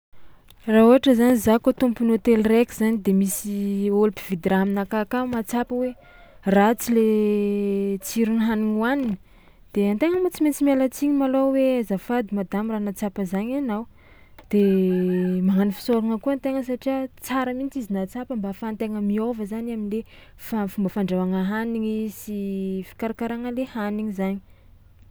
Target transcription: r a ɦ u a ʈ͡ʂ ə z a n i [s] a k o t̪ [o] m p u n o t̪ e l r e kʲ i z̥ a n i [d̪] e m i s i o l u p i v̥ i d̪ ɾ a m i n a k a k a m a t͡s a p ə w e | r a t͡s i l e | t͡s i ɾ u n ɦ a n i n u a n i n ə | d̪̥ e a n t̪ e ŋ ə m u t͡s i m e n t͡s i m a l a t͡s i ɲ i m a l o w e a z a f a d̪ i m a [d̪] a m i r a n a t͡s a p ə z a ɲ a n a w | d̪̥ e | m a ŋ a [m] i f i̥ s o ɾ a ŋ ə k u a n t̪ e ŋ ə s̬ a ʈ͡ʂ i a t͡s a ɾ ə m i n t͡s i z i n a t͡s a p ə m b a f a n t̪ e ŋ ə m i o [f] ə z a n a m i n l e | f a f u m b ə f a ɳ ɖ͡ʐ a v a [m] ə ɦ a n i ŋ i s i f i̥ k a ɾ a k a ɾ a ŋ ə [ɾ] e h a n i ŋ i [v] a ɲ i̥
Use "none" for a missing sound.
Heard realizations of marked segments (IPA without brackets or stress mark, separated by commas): z, u, d̪, d̪, n, v, ŋ, l, z